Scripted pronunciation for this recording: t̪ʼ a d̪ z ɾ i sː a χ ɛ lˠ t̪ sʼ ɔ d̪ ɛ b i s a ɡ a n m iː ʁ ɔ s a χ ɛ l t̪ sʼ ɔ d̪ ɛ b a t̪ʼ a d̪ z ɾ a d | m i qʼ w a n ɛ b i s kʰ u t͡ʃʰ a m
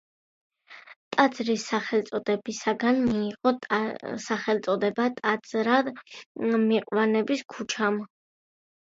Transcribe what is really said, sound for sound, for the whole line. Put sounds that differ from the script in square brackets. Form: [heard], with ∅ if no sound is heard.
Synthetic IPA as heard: t̪ʼ a d̪ z ɾ i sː a χ ɛ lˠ t̪ sʼ ɔ d̪ ɛ b i s a ɡ a n m iː ʁ ɔ s a χ ɛ l t̪ sʼ ɔ d̪ ɛ b a t̪ʼ a d̪ z ɾ a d | m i qʼ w a n ɛ b i s kʰ u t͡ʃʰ a m